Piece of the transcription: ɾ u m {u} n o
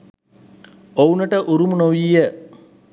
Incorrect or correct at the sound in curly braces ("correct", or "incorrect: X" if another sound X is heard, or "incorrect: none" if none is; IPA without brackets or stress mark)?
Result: correct